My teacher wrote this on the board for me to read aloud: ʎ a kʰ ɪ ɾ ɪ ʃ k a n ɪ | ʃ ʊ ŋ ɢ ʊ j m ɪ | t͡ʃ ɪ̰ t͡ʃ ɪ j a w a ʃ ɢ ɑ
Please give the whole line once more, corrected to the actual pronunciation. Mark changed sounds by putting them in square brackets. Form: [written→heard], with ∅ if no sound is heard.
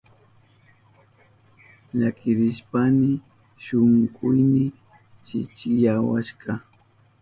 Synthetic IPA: ʎ a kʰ ɪ ɾ ɪ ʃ [k→p] a n ɪ | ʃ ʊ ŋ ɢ ʊ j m ɪ | t͡ʃ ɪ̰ t͡ʃ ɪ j a w a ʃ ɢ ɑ